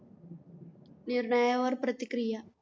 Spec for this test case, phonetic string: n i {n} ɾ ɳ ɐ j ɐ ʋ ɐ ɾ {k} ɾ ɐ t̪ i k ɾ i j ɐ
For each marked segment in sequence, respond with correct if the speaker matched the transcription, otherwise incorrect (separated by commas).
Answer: incorrect, incorrect